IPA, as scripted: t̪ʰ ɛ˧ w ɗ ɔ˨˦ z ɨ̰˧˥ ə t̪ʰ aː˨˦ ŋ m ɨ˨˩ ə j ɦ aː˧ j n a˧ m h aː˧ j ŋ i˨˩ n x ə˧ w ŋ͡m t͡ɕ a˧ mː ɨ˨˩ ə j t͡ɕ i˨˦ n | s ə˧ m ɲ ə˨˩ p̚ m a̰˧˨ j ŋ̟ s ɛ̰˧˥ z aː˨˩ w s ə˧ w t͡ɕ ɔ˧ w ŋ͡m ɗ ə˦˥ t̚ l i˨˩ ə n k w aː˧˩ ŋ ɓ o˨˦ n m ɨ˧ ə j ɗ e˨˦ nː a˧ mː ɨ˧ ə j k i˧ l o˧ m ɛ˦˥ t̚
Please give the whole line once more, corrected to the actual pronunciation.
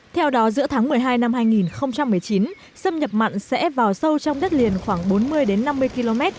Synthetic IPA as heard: t̪ʰ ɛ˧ w ɗ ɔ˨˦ z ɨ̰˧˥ ə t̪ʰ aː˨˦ ŋ m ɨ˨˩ ə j ɦ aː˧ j n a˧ m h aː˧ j ŋ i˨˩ n x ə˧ w ŋ͡m t͡ɕ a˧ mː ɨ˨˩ ə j t͡ɕ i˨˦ n | s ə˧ m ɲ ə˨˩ p̚ m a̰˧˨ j ŋ̟ s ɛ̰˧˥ v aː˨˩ w s ə˧ w t͡ɕ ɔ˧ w ŋ͡m ɗ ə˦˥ t̚ l i˨˩ ə n x w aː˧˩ ŋ ɓ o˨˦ n m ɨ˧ ə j ɗ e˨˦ nː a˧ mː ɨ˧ ə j k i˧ l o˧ m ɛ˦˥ t̚